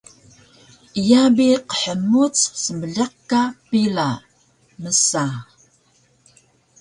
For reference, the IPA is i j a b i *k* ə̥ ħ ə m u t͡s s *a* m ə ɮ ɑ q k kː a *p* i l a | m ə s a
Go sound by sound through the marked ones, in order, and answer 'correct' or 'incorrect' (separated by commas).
incorrect, incorrect, correct